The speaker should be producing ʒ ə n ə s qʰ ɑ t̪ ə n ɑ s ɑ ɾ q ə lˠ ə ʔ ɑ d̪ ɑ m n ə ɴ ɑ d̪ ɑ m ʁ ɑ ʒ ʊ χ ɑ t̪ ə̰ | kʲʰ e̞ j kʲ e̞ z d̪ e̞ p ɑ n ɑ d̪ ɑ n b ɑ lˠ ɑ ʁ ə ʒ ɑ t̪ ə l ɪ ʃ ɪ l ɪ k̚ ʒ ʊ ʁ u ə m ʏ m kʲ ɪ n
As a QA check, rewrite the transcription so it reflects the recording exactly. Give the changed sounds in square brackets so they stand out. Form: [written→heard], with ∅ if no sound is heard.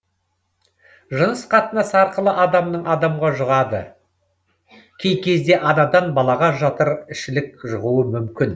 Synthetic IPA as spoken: ʒ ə n ə s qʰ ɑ t̪ ə n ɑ s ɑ ɾ q ə lˠ ə ʔ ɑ d̪ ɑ m n ə ɴ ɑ d̪ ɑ m ʁ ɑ ʒ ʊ [χ→ʁ] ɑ [t̪→d̪] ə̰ | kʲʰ e̞ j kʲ e̞ z d̪ e̞ [p→ʔ] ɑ n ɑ d̪ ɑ n b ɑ lˠ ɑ ʁ [ə→ɑ] ʒ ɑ t̪ ə [l→ɾ] ɪ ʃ ɪ l ɪ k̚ ʒ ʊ ʁ u ə m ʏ m kʲ ɪ n